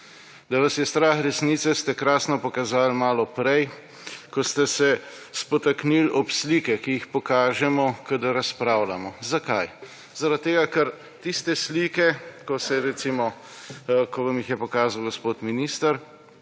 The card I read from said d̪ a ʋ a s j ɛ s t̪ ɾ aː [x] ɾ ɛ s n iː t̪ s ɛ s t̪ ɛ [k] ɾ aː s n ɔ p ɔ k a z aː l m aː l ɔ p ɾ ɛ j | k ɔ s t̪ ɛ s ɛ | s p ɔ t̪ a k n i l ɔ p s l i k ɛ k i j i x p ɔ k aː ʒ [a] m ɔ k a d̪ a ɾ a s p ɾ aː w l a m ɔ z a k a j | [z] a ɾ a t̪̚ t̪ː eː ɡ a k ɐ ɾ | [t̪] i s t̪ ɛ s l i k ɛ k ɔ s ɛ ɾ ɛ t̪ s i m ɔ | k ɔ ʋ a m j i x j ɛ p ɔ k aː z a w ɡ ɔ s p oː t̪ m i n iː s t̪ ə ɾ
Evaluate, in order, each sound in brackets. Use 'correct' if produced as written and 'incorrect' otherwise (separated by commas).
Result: correct, correct, incorrect, correct, correct